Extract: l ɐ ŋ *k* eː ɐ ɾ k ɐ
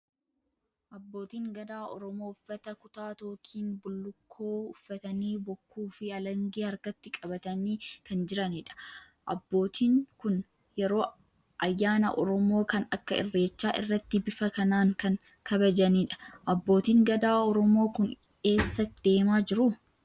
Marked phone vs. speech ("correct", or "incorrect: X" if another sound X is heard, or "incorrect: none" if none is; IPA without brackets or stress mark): incorrect: ɡ